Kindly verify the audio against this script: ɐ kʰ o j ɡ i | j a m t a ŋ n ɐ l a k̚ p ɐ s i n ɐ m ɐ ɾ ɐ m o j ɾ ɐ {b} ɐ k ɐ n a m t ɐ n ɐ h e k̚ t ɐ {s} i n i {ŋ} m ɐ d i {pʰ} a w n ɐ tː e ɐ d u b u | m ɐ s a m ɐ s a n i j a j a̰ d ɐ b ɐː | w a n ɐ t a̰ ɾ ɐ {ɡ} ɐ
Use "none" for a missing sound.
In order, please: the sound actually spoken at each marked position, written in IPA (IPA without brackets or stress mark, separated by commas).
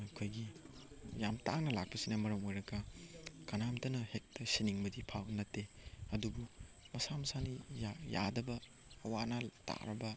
ɡ, s, ŋ, pʰ, b